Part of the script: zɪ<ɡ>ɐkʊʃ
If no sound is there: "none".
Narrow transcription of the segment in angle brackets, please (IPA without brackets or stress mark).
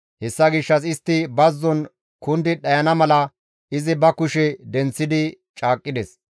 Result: b